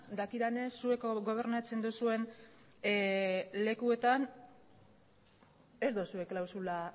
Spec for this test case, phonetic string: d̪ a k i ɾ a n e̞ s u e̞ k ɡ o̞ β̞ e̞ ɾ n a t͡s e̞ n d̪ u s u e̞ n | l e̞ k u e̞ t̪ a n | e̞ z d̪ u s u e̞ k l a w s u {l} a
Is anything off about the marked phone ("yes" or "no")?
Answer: no